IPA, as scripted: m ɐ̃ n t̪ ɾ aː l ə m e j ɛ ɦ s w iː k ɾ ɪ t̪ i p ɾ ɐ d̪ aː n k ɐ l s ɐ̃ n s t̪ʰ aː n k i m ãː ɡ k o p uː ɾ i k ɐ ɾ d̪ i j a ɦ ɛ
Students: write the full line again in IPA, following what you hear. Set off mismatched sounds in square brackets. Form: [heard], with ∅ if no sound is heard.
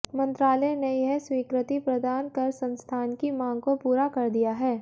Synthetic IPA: m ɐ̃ n t̪ ɾ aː l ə [n] e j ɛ ɦ s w iː k ɾ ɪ t̪ i p ɾ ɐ d̪ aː n k ɐ [ɾ] s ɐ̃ n s t̪ʰ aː n k i m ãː ɡ k o p uː ɾ [a] k ɐ ɾ d̪ i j a ɦ [ɛː]

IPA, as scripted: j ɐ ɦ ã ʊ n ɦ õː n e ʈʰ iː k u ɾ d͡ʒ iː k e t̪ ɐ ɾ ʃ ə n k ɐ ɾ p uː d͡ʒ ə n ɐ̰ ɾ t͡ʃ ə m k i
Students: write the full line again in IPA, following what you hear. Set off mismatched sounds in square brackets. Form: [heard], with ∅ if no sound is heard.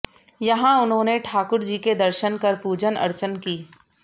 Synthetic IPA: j ɐ ɦ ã ʊ n ɦ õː n e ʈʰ [aː] k [ʊ] ɾ d͡ʒ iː k e [d̪] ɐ ɾ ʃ ə n k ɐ ɾ p uː d͡ʒ ə n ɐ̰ ɾ t͡ʃ ə [n] k [iː]

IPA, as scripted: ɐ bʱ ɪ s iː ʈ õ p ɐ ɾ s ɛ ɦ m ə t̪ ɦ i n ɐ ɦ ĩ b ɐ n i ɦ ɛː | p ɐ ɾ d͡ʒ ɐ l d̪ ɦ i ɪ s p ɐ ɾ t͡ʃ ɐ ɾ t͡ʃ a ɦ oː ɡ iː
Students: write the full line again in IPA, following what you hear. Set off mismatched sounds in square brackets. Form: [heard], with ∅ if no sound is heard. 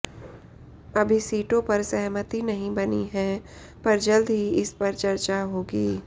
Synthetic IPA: ɐ bʱ [i] s iː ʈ õ p ɐ ɾ s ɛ ɦ m ə t̪ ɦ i n ɐ ɦ ĩ b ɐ n i ɦ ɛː | p ɐ ɾ d͡ʒ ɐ l d̪ ɦ i ɪ s p ɐ ɾ t͡ʃ ɐ ɾ t͡ʃ a ɦ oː ɡ iː

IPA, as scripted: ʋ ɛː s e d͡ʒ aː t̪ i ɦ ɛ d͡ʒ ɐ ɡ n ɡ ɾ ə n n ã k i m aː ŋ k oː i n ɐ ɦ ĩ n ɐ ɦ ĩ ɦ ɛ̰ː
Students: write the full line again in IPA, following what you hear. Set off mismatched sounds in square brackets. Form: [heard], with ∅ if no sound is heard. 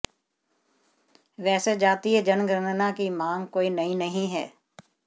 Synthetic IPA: ʋ ɛː s e d͡ʒ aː t̪ i ɦ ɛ d͡ʒ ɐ [∅] n ɡ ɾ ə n n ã k i m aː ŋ k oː i n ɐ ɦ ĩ n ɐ ɦ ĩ ɦ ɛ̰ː

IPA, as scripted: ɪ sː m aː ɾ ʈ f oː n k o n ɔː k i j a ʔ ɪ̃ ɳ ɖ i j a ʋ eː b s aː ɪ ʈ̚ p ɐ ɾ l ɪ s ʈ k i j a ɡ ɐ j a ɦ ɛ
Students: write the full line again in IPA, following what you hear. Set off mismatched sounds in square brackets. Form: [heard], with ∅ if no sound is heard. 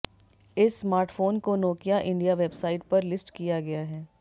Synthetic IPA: ɪ sː m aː ɾ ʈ f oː n k o n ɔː k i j a ʔ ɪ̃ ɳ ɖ i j a ʋ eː b s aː ɪ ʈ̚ p ɐ ɾ l ɪ s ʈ k i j a ɡ ɐ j a ɦ [ɛː]

